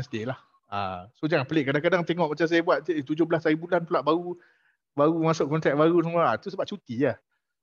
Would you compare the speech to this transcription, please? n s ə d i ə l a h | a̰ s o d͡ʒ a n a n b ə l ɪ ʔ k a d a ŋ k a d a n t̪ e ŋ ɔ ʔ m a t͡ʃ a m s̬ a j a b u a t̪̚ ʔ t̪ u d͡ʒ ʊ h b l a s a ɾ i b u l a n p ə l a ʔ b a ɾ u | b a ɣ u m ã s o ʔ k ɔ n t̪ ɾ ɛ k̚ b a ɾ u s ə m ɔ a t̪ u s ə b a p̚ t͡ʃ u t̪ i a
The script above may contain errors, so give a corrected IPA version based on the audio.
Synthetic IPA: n s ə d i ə l a h | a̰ s o d͡ʒ a ŋ a n p ə l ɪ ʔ k a d a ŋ k a d a ŋ t̪ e ŋ ɔ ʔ m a t͡ʃ a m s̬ a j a b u a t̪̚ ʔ t̪ u d͡ʒ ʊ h b l a s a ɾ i b u l a n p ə l a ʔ b a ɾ u | b a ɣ u m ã s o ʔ k ɔ n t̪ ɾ ɛ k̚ b a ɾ u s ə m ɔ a t̪ u s ə b a p̚ t͡ʃ u t̪ i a